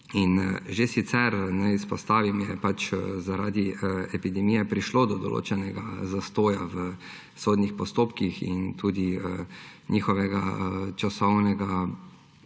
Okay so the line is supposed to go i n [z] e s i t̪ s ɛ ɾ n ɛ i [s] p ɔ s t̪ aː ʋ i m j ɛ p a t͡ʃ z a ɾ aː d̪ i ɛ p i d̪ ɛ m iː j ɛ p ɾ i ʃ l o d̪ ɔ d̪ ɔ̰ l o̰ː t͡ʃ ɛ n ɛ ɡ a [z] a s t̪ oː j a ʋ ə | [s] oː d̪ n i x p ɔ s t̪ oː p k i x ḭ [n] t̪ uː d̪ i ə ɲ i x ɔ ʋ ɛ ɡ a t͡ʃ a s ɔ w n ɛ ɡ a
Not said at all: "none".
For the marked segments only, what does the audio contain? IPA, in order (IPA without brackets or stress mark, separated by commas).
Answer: ʒ, s, z, s, n